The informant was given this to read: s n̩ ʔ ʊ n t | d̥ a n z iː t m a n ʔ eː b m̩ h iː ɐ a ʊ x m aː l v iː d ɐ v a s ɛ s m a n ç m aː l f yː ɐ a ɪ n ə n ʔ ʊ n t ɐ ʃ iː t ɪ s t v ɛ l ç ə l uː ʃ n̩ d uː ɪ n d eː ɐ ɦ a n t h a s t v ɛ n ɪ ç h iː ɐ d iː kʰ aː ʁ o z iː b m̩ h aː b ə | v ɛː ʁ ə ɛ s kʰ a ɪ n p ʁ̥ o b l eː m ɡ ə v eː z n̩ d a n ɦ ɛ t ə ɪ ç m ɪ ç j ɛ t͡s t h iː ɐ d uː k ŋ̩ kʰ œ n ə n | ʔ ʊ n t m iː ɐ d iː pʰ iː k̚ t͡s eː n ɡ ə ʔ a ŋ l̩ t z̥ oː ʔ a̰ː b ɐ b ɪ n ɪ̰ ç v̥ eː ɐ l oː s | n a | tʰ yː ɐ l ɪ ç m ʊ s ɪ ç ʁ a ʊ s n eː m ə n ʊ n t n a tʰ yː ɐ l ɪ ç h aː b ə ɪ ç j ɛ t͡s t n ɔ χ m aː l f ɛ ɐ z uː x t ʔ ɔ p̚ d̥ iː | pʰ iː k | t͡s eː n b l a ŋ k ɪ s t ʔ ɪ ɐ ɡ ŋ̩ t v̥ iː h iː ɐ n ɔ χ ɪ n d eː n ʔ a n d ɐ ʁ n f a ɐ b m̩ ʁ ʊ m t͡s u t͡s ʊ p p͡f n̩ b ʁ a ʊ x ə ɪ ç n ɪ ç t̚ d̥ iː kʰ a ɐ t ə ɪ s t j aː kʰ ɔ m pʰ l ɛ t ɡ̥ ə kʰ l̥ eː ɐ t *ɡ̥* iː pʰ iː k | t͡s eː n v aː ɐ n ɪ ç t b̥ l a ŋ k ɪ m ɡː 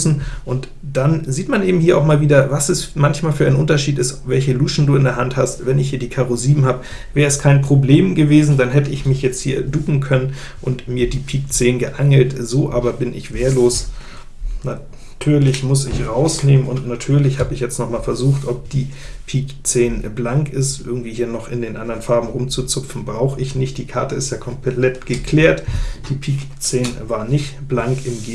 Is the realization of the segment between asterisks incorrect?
yes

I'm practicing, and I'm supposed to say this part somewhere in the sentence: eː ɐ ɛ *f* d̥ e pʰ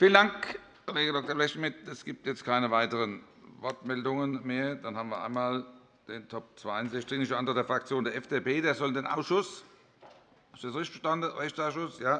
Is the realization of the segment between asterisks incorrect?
no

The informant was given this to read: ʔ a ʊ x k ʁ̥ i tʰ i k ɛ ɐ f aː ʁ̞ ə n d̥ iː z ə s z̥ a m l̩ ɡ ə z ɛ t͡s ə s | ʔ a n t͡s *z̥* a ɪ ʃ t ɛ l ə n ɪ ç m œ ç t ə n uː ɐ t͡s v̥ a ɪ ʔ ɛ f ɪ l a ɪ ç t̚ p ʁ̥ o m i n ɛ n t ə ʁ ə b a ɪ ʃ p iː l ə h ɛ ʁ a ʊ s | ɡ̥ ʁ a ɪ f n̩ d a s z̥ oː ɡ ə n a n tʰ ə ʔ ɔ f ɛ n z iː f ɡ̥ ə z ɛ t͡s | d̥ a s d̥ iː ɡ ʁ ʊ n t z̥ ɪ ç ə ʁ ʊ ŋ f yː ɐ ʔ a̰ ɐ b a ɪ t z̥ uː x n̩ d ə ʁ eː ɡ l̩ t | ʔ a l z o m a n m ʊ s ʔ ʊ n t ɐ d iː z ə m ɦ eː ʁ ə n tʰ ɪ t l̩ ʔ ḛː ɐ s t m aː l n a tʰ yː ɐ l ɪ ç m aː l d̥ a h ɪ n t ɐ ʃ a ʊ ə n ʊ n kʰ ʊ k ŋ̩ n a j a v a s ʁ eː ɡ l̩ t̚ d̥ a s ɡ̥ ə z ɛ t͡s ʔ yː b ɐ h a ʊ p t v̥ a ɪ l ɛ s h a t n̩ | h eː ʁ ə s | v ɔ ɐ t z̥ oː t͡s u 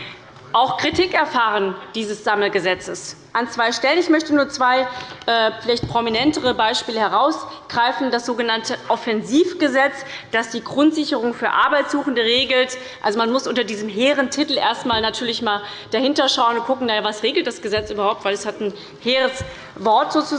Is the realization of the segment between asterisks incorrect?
yes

